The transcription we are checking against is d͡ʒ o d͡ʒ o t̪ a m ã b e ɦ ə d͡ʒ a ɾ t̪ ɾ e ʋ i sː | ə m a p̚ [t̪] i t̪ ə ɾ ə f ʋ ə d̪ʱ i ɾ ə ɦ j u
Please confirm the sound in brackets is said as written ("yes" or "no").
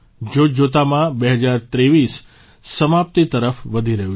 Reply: yes